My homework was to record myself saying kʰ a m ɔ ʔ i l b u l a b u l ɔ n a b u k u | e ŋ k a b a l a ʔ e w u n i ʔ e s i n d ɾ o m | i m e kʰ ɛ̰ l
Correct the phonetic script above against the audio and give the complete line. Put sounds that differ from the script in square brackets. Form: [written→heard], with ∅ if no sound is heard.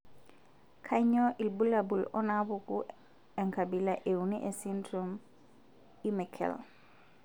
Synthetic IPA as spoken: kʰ a [m→ɲ] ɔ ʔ i l b u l a b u l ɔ n a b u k u | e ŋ k a b [a→i] l a ʔ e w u n i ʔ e s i n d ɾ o m | i m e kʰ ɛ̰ l